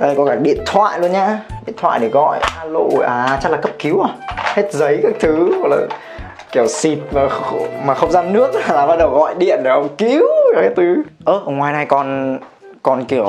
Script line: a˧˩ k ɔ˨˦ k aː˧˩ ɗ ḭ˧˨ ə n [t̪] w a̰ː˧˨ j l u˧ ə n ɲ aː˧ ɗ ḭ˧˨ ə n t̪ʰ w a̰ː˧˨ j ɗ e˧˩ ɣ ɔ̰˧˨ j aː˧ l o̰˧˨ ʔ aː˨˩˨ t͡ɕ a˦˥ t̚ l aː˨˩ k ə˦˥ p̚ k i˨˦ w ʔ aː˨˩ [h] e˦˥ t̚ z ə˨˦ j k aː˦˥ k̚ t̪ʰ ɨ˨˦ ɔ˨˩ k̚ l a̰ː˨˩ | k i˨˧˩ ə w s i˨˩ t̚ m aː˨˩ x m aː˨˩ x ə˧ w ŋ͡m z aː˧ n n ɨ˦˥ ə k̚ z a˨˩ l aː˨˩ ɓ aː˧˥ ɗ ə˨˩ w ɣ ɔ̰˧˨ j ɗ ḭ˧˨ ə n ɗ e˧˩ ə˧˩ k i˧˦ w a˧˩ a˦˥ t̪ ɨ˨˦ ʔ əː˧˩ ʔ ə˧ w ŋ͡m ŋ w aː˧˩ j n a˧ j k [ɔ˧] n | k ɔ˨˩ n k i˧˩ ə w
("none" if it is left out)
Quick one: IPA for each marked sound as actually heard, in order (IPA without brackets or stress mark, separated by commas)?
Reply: t̪ʰ, h, ɔ˨˩